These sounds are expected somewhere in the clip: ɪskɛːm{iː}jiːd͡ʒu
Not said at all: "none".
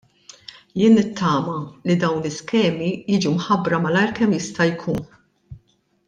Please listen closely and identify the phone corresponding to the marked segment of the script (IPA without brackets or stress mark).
i